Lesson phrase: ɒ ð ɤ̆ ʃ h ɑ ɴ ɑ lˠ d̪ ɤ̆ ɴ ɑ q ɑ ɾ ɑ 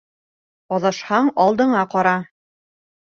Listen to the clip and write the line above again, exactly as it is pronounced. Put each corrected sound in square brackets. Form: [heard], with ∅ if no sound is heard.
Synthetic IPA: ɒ ð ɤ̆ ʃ h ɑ ɴ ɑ lˠ d̪ ɤ̆ ɴ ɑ q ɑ ɾ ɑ